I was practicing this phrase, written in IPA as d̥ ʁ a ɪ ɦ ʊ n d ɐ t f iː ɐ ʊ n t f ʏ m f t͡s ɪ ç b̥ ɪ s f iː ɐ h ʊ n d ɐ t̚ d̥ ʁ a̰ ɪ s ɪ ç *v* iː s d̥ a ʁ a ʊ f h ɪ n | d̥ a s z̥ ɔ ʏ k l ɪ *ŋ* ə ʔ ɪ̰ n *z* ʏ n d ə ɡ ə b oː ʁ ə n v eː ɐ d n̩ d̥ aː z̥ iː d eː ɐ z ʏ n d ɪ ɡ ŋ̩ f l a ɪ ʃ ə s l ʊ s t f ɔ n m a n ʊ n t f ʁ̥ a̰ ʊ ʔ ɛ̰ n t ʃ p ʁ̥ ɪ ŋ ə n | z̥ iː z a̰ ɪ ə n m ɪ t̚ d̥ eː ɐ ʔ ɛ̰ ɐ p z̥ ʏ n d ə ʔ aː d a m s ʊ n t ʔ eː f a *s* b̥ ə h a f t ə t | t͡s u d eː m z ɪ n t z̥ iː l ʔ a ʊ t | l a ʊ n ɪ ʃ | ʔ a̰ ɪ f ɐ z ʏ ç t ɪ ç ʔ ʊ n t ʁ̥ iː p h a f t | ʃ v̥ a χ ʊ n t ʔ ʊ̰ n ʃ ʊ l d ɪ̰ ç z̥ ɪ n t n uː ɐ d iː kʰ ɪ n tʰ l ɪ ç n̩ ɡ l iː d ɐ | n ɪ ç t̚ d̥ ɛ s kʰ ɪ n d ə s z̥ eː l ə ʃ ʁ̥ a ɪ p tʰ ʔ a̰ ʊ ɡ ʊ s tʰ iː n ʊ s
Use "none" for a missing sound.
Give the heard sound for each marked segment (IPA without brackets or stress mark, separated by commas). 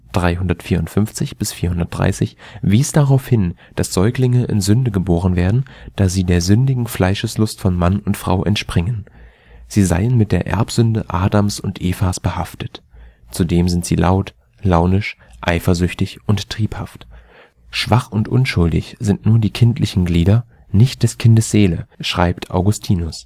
v, ŋ, z, s